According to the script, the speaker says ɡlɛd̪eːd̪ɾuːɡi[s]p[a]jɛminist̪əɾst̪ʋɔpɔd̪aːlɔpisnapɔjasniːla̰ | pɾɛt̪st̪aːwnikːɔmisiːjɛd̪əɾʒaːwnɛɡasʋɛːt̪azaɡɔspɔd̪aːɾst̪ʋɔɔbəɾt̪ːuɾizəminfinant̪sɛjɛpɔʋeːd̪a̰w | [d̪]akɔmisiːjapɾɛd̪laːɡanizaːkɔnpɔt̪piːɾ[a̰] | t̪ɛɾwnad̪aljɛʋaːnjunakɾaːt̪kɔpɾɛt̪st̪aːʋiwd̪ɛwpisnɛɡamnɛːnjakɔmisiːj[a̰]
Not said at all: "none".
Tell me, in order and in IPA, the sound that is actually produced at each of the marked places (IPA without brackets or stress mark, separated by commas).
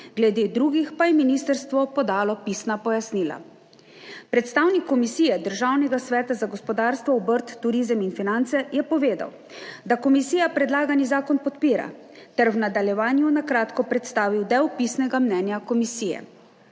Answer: x, a, d̪, a̰, ɛ̰